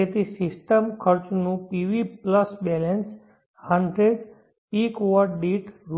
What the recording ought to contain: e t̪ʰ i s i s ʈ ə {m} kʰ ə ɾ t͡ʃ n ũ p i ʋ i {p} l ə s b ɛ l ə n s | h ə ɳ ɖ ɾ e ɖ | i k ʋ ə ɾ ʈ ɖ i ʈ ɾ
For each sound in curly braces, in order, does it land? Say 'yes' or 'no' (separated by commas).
yes, yes